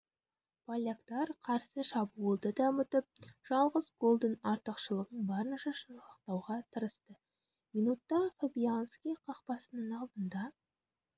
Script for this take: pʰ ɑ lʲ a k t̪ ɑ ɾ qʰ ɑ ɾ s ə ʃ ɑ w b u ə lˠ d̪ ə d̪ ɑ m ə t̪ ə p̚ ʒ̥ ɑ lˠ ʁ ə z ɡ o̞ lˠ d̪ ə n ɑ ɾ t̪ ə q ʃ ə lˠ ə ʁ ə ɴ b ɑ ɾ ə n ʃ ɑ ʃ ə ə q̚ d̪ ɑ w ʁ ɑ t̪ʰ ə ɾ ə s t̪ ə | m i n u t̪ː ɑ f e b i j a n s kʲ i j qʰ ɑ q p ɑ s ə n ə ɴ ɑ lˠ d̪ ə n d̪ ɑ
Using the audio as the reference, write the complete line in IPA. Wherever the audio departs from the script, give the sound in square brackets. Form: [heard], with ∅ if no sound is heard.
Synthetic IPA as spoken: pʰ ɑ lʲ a k t̪ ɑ ɾ qʰ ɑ ɾ s ə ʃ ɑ [∅] b u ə lˠ d̪ ə d̪ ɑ m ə t̪ ə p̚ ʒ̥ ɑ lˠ ʁ ə z ɡ o̞ lˠ d̪ ə n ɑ ɾ t̪ ə q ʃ ə lˠ ə ʁ ə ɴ b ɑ ɾ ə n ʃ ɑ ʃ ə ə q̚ [t̪] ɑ w ʁ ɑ t̪ʰ ə ɾ ə s t̪ ə | m i n u t̪ː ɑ f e b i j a n s kʲ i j qʰ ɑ q p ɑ s ə n ə ɴ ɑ lˠ d̪ ə n d̪ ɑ